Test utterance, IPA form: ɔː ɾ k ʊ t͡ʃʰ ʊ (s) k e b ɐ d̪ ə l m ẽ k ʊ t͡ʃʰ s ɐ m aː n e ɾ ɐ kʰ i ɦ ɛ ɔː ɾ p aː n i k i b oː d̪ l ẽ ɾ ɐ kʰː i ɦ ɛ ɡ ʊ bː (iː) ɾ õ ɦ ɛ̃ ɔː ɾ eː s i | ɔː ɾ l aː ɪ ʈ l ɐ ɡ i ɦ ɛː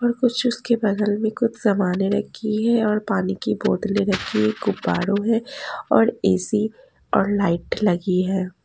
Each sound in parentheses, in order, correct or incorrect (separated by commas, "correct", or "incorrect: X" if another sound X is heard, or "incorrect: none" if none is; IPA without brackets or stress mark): correct, incorrect: aː